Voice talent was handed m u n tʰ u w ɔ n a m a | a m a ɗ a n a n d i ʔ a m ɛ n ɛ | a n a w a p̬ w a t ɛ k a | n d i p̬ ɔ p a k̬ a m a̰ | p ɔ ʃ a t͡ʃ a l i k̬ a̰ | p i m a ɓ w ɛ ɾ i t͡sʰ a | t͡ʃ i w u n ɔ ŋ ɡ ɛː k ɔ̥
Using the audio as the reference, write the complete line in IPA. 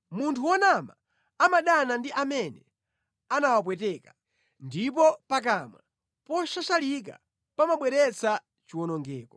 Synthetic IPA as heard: m u n tʰ u w ɔ n a m a | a m a ɗ a n a n d i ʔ a m ɛ n ɛ | a n a w a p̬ w ɛ t ɛ k a | n d i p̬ ɔ p a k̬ a m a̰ | p ɔ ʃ a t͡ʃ a l i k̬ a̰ | p a m a ɓ w ɛ ɾ ɛ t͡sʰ a | t͡ʃ i w ɔ n ɔ ŋ ɡ ɛː k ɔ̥